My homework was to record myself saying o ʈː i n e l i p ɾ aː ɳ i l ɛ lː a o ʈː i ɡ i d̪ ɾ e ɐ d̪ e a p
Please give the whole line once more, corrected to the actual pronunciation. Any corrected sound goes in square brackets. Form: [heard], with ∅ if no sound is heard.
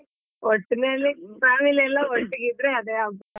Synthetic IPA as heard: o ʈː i n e l i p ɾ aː [m] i l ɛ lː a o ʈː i ɡ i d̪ ɾ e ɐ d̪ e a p